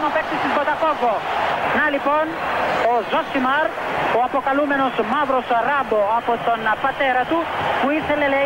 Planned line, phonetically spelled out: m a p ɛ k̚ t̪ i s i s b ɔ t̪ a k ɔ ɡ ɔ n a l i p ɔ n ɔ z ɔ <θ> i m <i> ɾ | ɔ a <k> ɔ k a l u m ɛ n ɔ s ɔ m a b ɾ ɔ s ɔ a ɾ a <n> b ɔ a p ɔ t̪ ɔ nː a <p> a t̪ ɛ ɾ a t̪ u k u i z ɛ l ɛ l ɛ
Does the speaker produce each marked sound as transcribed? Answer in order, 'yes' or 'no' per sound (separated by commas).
no, no, no, no, yes